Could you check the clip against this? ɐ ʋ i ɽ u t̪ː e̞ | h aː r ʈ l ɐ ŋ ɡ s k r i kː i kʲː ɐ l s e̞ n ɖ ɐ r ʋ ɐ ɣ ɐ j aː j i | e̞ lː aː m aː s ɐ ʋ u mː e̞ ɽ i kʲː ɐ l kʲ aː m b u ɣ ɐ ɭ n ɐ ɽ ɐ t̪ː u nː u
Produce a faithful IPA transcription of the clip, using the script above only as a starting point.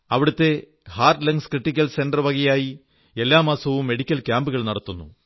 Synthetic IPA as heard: ɐ ʋ i ɽ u t̪ː e̞ | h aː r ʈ l ɐ ŋ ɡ s k r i ʈː i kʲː ɐ l s e̞ n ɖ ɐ r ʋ ɐ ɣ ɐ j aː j i | e̞ lː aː m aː s ɐ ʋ u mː e̞ ɽ i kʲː ɐ l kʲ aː m b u ɣ ɐ ɭ n ɐ ɽ ɐ t̪ː u nː u